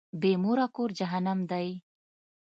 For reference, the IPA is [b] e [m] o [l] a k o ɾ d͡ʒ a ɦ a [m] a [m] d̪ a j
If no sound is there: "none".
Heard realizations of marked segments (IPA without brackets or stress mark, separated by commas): b, m, ɾ, n, m